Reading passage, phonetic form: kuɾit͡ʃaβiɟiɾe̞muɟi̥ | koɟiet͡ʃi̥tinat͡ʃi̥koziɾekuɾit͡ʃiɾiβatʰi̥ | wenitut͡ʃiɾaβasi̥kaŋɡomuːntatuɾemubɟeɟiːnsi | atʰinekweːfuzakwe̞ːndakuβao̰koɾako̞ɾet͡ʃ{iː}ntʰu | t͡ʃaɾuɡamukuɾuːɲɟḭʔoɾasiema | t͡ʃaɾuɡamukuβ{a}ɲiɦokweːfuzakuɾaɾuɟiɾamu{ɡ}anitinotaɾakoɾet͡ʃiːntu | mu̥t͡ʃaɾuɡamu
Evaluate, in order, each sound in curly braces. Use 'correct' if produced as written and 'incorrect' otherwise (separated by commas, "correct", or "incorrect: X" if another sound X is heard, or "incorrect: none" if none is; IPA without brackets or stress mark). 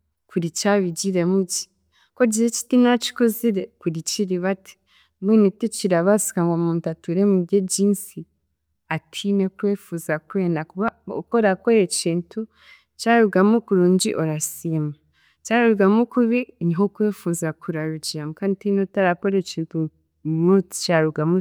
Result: correct, incorrect: i, incorrect: k